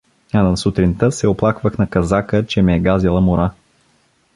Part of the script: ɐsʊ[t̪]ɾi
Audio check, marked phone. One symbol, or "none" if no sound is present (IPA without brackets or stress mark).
t̪